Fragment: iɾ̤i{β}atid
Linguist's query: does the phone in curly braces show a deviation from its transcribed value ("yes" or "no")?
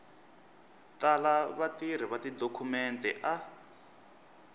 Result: no